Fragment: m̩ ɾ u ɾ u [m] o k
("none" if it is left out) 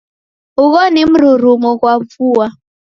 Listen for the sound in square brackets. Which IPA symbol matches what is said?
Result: m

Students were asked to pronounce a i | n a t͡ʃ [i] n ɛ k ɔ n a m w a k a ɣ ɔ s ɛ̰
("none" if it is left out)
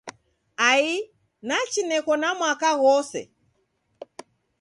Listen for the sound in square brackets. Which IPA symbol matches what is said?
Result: i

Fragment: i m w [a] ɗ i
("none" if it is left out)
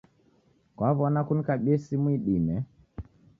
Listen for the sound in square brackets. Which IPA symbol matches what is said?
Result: i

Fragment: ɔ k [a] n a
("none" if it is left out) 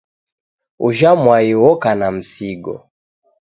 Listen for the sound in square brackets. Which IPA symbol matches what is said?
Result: a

